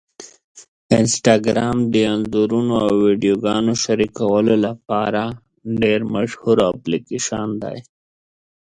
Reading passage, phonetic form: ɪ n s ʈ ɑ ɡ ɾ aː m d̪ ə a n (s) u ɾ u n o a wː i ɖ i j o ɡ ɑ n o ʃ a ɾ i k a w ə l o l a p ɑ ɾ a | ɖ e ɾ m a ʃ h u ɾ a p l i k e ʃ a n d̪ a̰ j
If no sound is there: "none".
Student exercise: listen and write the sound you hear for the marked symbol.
z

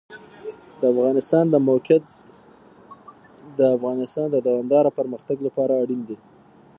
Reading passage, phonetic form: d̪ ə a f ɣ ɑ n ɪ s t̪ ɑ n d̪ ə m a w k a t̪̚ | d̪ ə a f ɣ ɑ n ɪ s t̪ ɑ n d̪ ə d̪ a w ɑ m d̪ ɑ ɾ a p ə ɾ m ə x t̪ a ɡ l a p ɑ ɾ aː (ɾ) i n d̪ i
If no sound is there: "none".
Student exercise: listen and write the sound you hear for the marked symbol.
ɽ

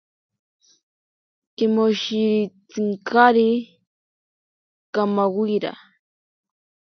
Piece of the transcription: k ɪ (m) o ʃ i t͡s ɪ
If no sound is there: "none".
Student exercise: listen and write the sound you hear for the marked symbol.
m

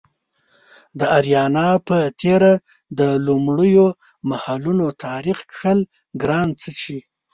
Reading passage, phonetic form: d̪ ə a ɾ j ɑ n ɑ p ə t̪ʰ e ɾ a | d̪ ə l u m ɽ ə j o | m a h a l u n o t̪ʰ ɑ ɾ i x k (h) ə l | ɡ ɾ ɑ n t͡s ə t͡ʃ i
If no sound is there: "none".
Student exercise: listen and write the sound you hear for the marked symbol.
x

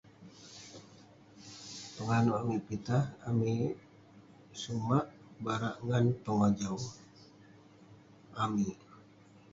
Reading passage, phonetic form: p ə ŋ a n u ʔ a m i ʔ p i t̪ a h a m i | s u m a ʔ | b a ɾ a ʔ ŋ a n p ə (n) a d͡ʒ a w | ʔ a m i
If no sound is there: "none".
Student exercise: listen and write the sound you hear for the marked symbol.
ŋ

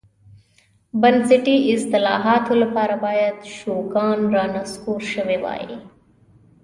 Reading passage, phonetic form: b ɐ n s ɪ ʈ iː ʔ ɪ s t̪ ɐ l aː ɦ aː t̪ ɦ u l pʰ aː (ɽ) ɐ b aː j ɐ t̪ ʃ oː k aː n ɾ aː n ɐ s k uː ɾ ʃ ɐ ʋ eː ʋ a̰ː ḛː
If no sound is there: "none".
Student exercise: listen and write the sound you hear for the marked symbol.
ɾ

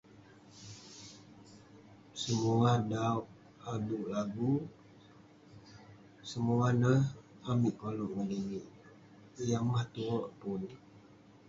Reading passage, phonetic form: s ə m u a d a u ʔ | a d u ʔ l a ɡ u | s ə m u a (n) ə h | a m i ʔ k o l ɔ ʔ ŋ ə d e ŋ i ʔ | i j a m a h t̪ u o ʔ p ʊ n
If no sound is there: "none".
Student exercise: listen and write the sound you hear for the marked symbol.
n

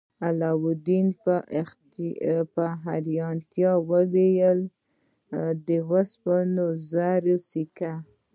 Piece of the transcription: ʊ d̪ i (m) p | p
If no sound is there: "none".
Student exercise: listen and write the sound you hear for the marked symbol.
n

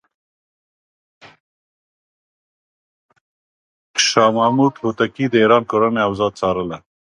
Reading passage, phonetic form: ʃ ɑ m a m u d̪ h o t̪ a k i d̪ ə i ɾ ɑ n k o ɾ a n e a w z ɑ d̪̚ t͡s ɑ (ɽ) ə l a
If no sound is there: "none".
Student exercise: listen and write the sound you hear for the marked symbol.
ɾ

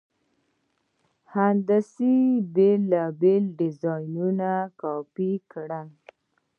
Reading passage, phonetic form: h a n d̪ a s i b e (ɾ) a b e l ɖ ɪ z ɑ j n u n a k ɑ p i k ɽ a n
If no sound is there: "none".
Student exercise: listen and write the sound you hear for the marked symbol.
l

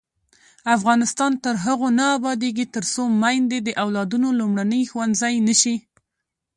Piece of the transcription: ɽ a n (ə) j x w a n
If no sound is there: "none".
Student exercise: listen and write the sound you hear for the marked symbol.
ə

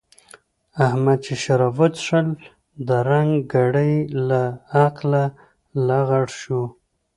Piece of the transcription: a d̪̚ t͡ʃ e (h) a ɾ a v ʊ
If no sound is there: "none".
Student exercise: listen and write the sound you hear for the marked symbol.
ʃ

